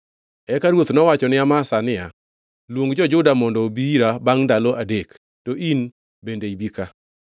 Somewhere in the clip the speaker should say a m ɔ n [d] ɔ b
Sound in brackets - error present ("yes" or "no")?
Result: no